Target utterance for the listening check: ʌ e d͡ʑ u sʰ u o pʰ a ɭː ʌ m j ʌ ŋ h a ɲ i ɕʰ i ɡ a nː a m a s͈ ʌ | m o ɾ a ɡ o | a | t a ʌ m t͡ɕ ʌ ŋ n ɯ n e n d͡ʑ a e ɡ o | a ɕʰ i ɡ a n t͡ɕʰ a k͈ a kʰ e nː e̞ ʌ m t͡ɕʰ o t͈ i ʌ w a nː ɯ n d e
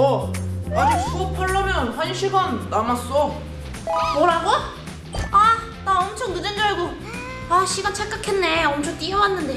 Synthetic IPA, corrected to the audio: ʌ a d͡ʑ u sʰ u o pʰ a ɭː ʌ m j ʌ n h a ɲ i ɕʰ i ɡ a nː a m a s͈ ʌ | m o ɾ a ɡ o | a | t a ʌ m t͡ɕʰ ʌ ŋ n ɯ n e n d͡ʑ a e ɡ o | a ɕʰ i ɡ a n t͡ɕʰ a k͈ a kʰ e nː e̞ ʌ m t͡ɕʰ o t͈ i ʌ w a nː ɯ n d e